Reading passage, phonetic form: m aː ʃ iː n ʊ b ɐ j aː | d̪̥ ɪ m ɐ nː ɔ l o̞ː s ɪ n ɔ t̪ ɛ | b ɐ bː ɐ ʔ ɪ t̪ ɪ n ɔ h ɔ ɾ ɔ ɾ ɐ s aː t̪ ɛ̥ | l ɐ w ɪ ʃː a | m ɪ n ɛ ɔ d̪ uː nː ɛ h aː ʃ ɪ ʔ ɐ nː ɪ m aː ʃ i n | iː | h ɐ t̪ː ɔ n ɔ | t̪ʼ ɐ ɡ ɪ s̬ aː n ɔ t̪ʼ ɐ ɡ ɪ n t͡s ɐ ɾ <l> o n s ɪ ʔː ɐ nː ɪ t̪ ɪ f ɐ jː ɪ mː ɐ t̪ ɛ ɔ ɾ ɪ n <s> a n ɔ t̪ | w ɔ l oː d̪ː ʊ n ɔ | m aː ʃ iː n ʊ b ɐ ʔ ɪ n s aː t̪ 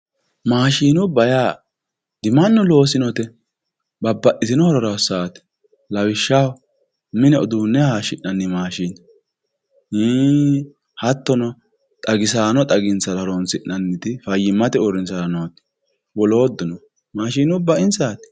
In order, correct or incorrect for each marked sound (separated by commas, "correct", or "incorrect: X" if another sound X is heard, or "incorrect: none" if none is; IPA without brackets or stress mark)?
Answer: incorrect: ɾ, correct